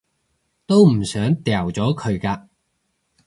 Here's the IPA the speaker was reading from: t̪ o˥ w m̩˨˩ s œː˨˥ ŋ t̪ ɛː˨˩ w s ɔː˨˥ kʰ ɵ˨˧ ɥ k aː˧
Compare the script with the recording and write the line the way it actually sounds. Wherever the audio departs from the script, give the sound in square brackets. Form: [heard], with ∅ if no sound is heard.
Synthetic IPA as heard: t̪ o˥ w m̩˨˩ s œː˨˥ ŋ t̪ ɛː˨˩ w [t͡s] ɔː˨˥ kʰ ɵ˨˧ ɥ k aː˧